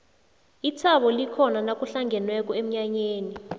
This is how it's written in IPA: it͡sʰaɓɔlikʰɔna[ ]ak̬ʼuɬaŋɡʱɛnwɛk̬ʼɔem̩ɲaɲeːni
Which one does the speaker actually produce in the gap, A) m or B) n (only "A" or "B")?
B